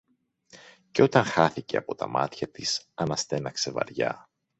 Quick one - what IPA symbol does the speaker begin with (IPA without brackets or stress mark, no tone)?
c